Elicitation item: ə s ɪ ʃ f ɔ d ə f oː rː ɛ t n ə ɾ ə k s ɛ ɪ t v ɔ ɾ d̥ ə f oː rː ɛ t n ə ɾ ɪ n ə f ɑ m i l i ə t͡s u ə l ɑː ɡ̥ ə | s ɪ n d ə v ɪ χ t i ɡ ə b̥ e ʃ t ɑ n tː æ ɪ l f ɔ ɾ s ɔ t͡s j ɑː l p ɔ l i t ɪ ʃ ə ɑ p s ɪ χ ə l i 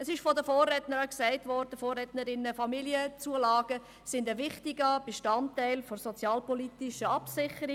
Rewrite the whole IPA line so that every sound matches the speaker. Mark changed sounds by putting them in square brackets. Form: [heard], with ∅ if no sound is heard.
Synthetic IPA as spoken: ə s ɪ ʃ f ɔ d ə f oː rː ɛ t n ə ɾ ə k s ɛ ɪ t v ɔ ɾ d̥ ə f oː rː ɛ t n ə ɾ ɪ n ə f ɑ m i l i ə t͡s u ə l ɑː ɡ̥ ə | s ɪ n d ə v ɪ χ t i ɡ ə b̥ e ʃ t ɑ n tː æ ɪ l f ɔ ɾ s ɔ t͡s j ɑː l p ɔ l i t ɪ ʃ ə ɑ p s ɪ χ ə [ɾ] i